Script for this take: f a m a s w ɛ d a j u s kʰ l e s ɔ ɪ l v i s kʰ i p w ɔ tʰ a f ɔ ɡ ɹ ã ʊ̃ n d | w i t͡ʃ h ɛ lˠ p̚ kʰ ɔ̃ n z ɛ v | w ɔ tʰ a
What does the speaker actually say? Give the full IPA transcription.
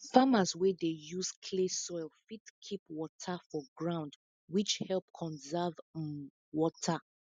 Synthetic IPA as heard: f a m a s w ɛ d e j u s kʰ l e s ɔ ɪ l f i t kʰ i p w ɔ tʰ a f ɔ ɡ ɹ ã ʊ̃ n d | w i t͡ʃ h ɛ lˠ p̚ kʰ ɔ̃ n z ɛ v | w ɔ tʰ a

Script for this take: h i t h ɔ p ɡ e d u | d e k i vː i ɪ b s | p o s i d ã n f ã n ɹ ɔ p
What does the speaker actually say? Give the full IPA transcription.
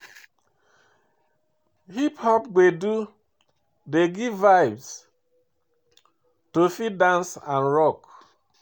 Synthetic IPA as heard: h i p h ɔ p ɡ e d u | d e ɡ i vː a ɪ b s | t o f i d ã n s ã n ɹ ɔ k

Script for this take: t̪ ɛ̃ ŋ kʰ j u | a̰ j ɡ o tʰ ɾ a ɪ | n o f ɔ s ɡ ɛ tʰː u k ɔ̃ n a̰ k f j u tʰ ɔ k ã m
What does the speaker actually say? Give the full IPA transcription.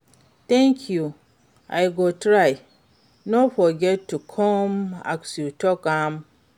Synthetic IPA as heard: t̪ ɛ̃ ŋ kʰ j u | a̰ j ɡ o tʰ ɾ a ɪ | n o f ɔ ɡ ɛ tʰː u kʰ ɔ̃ m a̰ k s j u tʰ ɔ k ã m

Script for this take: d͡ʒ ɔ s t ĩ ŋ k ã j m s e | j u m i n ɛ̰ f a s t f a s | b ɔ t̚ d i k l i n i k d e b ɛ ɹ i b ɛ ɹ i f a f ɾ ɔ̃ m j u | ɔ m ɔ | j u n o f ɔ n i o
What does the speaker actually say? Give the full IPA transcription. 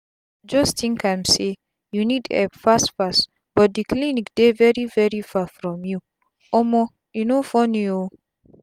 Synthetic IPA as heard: d͡ʒ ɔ s t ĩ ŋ k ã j m s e | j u n i d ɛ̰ f a s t f a s | b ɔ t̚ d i k l i n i k d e v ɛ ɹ i v ɛ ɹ i f a f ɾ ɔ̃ m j u | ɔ m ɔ | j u n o f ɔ n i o

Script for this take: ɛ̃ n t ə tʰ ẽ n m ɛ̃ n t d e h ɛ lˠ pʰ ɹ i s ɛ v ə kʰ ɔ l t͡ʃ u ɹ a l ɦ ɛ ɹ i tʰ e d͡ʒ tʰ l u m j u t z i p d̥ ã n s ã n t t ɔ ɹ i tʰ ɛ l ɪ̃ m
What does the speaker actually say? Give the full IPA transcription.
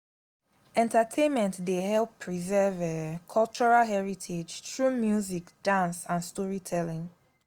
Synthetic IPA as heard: ɛ̃ n t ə tʰ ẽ n m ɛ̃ n t d e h ɛ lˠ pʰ ɹ i z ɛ v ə kʰ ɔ l t͡ʃ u ɹ a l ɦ ɛ ɹ i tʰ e d͡ʒ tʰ ɹ u m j u z i k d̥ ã n s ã n s t ɔ ɹ i tʰ ɛ l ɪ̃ ŋ

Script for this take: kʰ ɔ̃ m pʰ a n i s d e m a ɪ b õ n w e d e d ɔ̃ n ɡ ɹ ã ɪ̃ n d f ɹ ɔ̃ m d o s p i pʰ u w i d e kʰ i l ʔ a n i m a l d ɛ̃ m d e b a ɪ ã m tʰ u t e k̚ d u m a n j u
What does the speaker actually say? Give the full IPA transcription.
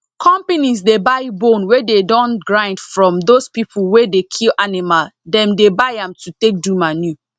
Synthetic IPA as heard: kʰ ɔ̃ m p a n i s d e b a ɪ b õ n w e d e d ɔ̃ n ɡ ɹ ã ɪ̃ n d f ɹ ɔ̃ m d o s p i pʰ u w e d e kʰ i l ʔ a n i m a l d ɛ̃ m d e b a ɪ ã m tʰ u t e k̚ d u m a n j u

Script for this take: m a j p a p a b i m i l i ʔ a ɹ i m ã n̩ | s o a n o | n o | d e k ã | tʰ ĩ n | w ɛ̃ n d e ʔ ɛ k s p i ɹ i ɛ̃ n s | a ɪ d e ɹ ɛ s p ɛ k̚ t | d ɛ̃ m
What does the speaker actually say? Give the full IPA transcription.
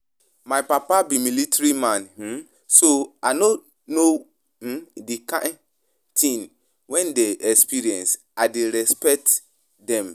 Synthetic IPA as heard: m a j p a p a b i m i l i t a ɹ i m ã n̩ | s o a n o | n o | d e k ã | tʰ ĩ n | w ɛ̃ n d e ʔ ɛ k s p i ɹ i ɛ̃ n s | a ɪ d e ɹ ɛ s p ɛ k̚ t | d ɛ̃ m

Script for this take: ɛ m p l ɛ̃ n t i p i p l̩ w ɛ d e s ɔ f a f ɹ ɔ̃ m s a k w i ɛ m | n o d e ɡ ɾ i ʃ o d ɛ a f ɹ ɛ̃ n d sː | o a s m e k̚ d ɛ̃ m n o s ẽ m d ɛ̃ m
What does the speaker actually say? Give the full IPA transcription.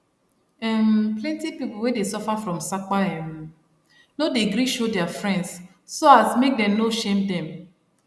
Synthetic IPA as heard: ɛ m p l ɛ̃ n t i p i p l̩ w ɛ d e s ɔ f a f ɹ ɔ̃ m s a k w a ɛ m | n o d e ɡ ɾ i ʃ o d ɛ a f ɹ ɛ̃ n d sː | o a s m e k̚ d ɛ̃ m n o ʃ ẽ m d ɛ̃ m

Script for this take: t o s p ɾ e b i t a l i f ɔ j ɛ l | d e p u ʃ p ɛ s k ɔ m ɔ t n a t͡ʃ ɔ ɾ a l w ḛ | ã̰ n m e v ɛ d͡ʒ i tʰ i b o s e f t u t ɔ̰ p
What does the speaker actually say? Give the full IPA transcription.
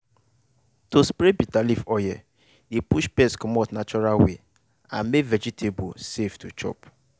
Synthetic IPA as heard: t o s p ɾ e b i t a l i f ɔ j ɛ | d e p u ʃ p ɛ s k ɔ m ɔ t n a t͡ʃ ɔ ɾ a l w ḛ | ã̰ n m e v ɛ d͡ʒ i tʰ e b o s e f t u t͡ʃ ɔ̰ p

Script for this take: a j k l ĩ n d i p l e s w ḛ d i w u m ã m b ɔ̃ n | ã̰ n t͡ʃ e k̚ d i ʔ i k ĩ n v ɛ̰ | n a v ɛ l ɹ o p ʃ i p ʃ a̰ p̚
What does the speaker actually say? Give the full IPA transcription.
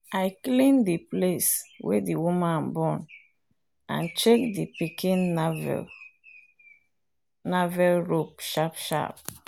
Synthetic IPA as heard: a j k l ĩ n d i p l e s w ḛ d i w u m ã n b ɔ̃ n | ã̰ n t͡ʃ e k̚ d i p i k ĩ n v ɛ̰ | n a v ɛ l ɹ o p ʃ a p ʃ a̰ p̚

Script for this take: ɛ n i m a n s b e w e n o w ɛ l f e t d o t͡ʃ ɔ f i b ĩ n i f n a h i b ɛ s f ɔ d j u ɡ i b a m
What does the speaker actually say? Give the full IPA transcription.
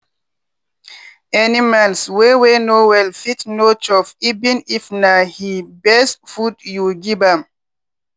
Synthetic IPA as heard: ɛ n i m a n s w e w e n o w ɛ l f i t n o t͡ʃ ɔ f i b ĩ n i f n a h i b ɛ s f u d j u ɡ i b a m

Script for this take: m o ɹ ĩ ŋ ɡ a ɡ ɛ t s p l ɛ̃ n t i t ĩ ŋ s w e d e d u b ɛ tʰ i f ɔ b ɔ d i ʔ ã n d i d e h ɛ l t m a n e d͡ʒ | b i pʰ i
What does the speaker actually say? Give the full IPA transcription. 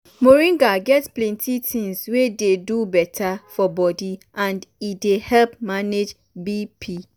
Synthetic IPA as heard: m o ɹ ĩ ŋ ɡ a ɡ ɛ t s p l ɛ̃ n t i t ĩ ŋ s w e d e d u b ɛ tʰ a f ɔ b ɔ d i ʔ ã n d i d e h ɛ l p m a n e d͡ʒ | b i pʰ i

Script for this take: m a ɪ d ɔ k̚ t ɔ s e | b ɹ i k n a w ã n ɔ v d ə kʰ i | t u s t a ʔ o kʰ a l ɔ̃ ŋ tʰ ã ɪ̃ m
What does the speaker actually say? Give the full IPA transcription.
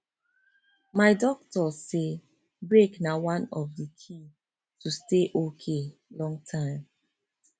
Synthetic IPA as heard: m a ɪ d ɔ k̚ t ɔ s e | b ɹ e k n a w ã n ɔ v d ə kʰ i | t u s t e ʔ o kʰ e l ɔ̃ ŋ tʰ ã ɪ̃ m

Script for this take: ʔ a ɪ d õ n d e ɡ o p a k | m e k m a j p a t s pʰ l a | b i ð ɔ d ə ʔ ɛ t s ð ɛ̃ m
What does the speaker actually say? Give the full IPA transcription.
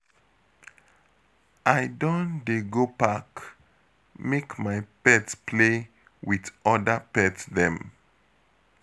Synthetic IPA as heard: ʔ a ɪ d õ n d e ɡ o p a k | m e k m a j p ɛ t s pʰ l e | w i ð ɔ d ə p ɛ t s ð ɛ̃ m

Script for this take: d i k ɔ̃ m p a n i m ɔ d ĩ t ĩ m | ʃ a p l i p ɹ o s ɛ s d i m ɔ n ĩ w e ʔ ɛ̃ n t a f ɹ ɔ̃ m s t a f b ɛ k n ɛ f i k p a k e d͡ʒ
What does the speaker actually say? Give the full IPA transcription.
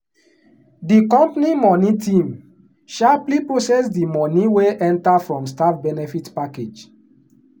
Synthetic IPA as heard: d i k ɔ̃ m p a n i m ɔ n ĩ t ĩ m | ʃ a p l i p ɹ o s ɛ s d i m ɔ n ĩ w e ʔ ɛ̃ n t a f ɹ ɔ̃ m s t a f b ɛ n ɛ f i t p a k e d͡ʒ

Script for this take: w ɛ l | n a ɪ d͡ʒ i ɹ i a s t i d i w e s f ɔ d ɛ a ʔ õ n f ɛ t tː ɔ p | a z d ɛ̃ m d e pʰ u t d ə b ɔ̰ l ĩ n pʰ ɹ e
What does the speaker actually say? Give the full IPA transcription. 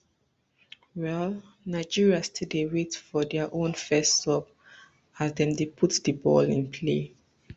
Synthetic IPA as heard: w ɛ l | n a ɪ d͡ʒ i ɹ i a s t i d e w e t f ɔ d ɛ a ʔ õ n f ɛ s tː ɔ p | a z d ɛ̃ m d e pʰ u t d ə b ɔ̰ l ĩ n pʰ l e

